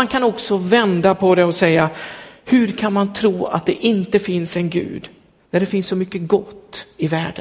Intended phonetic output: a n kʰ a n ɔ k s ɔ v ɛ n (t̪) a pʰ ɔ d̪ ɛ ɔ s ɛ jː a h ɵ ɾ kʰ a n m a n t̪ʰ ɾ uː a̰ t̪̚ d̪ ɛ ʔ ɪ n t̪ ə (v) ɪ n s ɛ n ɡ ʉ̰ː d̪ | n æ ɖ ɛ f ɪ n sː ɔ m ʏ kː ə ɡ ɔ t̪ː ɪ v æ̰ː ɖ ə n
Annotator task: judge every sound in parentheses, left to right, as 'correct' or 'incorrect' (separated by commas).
incorrect, incorrect